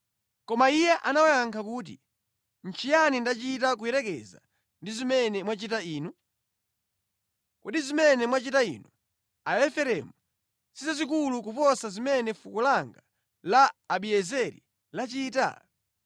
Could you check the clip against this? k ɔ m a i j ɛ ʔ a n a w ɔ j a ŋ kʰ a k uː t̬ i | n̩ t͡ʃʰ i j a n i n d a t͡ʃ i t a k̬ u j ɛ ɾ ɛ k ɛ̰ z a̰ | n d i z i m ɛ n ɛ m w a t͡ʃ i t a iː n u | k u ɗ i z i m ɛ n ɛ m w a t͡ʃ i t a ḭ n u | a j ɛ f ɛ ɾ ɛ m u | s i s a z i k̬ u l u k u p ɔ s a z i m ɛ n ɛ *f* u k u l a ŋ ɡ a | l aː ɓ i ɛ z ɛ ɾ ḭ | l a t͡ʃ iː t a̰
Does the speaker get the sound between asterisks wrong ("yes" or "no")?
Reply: no